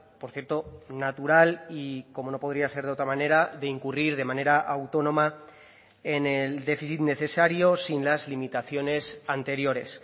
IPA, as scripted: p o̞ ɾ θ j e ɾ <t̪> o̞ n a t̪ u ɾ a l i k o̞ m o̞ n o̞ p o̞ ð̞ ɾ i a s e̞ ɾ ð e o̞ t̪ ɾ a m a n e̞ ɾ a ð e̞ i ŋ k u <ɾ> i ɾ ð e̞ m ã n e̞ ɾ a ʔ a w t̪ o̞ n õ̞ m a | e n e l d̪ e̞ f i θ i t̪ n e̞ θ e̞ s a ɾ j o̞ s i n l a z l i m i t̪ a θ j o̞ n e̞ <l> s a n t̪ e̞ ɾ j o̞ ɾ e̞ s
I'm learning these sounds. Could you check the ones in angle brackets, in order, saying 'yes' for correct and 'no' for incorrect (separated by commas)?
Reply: yes, no, no